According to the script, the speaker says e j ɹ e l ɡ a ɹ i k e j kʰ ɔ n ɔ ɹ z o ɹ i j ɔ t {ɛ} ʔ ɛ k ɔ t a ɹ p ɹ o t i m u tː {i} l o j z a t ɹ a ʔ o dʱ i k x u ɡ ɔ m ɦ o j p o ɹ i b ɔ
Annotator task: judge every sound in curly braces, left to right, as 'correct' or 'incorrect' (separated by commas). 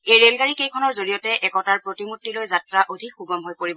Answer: correct, correct